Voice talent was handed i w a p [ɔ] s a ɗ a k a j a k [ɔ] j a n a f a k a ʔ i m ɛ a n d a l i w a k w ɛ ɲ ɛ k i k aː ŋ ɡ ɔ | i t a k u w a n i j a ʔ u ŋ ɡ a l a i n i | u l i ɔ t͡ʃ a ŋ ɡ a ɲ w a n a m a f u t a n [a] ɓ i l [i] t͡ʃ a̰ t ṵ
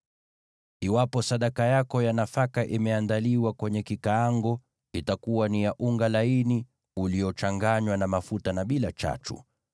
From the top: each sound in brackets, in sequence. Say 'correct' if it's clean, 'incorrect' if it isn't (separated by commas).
correct, correct, correct, incorrect